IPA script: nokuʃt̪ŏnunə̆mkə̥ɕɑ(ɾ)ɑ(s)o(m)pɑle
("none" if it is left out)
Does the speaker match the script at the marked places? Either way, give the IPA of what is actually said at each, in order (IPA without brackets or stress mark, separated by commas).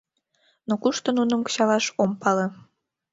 l, ʃ, m